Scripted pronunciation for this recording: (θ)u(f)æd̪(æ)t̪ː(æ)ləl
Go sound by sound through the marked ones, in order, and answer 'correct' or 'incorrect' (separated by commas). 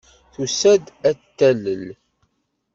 correct, incorrect, correct, correct